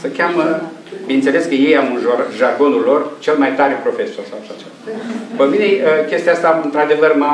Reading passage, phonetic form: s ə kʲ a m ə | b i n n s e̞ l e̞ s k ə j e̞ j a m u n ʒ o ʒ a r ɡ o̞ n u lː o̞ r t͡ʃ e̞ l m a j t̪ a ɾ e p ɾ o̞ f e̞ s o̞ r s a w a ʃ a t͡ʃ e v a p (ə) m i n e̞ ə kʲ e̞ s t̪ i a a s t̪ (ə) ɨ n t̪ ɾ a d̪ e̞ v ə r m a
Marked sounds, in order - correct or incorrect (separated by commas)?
correct, incorrect